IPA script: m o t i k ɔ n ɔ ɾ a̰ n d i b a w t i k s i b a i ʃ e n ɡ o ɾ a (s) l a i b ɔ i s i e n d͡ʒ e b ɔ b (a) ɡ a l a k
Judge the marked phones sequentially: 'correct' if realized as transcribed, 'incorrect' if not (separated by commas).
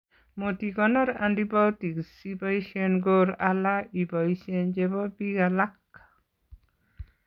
incorrect, incorrect